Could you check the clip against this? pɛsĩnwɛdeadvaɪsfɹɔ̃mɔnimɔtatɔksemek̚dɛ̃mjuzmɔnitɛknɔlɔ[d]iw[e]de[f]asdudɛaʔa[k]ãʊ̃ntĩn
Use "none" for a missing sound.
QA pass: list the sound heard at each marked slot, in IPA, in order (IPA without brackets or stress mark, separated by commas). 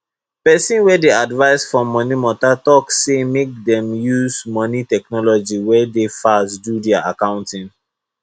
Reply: d͡ʒ, ɛ, f, k